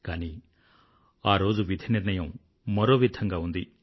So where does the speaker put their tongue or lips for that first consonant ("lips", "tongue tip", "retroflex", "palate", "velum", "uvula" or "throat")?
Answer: velum